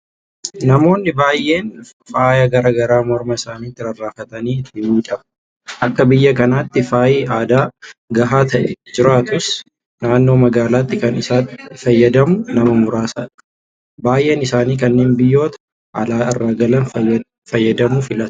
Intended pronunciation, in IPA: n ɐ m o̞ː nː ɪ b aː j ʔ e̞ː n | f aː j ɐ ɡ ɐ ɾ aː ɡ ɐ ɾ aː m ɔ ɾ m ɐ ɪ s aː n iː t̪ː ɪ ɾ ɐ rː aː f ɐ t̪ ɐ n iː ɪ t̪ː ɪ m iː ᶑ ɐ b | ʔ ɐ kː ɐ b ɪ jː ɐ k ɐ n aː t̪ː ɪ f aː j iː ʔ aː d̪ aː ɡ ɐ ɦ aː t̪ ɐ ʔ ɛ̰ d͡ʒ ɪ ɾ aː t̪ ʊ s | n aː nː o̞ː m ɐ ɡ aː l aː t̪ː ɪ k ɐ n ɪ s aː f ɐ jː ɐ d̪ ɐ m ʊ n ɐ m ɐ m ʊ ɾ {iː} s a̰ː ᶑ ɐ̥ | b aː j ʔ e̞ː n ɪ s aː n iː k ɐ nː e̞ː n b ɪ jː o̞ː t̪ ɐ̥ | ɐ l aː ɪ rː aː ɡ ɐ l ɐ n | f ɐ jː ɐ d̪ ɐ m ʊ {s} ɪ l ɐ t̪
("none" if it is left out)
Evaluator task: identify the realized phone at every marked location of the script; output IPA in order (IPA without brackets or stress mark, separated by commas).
aː, f